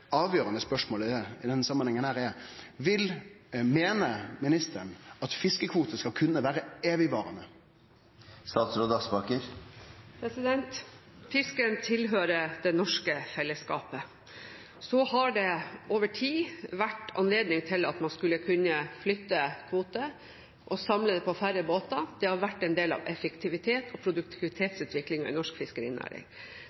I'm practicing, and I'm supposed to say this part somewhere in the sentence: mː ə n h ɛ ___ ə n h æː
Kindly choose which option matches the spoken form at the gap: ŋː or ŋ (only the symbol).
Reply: ŋ